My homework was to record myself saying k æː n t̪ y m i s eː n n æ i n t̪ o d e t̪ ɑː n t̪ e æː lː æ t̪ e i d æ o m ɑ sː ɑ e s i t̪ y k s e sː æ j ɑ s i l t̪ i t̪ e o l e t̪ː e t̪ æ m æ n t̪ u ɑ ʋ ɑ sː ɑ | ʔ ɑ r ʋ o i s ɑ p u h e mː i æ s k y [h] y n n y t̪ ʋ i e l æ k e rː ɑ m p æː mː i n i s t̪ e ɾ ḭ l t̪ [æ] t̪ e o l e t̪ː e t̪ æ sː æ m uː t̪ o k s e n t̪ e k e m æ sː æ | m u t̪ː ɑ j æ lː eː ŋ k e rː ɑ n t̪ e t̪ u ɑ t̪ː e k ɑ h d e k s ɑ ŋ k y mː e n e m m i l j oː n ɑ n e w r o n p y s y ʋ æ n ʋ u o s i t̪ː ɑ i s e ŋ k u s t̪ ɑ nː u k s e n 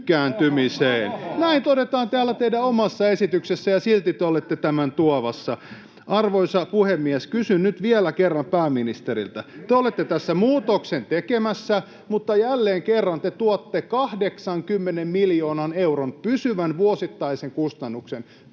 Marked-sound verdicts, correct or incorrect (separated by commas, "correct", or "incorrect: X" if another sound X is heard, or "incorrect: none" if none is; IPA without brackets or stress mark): incorrect: s, correct